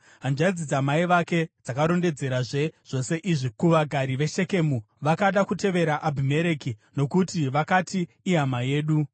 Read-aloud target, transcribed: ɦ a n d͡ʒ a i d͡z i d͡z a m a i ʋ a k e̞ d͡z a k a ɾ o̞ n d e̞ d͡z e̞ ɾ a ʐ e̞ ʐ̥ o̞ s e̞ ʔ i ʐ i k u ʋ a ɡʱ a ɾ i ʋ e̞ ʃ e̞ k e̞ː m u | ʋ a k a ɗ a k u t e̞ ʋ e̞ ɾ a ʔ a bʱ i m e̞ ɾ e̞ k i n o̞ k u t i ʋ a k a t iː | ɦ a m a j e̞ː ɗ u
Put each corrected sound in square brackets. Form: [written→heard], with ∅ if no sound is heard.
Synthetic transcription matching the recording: ɦ a n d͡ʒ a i d͡z i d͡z a m a i ʋ a k e̞ d͡z a k a ɾ o̞ n d e̞ d͡z e̞ ɾ a ʐ e̞ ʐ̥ o̞ s e̞ ʔ i ʐ i k u ʋ a ɡʱ a ɾ i ʋ e̞ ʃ e̞ k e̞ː m u | ʋ a k a ɗ a k u t e̞ ʋ e̞ ɾ a ʔ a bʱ i m e̞ ɾ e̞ k i n o̞ k u t i ʋ a k a t iː | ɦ a m a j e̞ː ɗ u